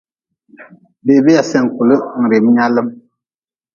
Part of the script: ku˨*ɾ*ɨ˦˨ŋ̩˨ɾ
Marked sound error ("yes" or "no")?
yes